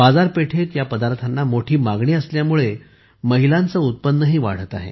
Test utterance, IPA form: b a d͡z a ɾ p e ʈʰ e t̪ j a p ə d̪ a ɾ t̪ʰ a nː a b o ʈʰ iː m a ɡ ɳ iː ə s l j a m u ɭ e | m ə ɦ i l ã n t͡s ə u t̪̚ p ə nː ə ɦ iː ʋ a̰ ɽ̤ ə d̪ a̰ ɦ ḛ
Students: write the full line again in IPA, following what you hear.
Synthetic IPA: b a d͡z a ɾ p e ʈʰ e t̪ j a p ə d̪ a ɾ t̪ʰ a nː a m o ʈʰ iː m a ɡ ɳ iː ə s l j a m u ɭ e | m ə ɦ i l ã n t͡s ə u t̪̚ p ə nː ə ɦ iː ʋ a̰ ɽ̤ ə t̪ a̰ ɦ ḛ

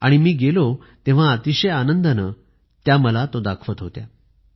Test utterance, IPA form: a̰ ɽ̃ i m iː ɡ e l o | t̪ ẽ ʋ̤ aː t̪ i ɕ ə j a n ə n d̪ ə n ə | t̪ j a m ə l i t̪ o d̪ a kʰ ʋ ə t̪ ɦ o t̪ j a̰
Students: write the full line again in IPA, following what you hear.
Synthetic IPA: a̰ ɽ̃ i m iː ɡ e l o | t̪ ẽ ʋ̤ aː t̪ i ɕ ə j a n ə n d̪ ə n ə | t̪ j a m ə l a t̪ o d̪ a kʰ ʋ ə t̪ ɦ o t̪ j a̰

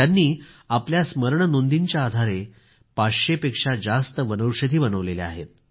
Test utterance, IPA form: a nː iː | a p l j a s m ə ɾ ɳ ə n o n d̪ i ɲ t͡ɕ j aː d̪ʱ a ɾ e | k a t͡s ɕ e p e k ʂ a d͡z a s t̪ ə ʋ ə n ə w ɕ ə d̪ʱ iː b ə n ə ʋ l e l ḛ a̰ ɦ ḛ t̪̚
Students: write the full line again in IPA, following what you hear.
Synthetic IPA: a nː iː | a p l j a s m ə ɾ ɳ ə n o n d̪ i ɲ t͡ɕ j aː d̪ʱ a ɾ e | p a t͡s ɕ e p e k ʂ a d͡z a s t̪ ə ʋ ə n ə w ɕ ə d̪ʱ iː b ə n ə ʋ l e l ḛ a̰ ɦ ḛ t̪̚

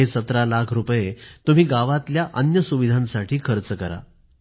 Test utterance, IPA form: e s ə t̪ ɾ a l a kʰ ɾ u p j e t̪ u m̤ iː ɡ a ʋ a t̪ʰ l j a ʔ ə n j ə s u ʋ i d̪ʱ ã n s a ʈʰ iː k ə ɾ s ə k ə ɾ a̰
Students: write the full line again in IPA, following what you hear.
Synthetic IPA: e s ə t̪ ɾ a l a kʰ ɾ u p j e t̪ u m̤ iː ɡ a ʋ a t̪ l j a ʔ ə n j ə s u ʋ i d̪ʱ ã n s a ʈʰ iː kʰ ə ɾ t͡s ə k ə ɾ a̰

